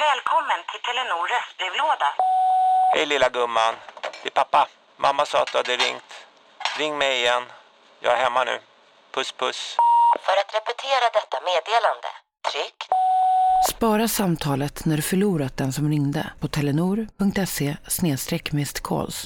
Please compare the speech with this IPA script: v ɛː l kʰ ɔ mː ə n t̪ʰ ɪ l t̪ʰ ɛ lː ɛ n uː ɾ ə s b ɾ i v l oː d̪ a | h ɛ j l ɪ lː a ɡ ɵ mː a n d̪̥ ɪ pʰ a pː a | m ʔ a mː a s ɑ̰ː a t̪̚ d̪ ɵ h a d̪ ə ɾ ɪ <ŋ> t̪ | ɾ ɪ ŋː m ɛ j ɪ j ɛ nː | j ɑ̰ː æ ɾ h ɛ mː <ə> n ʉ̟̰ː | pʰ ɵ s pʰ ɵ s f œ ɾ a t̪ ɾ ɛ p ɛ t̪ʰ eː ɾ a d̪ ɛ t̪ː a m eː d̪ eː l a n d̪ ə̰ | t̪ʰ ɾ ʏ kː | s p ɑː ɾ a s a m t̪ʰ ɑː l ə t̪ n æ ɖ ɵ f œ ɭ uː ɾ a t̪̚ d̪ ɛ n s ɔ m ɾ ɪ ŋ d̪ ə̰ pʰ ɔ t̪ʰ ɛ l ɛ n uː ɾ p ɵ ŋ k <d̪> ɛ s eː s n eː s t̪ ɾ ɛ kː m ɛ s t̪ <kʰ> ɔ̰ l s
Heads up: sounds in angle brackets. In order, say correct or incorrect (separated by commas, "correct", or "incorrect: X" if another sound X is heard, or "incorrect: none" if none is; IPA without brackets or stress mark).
correct, incorrect: a, incorrect: t̪, correct